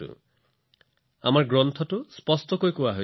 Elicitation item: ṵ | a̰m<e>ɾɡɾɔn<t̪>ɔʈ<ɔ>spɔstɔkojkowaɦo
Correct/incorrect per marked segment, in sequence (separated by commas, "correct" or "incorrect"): incorrect, incorrect, incorrect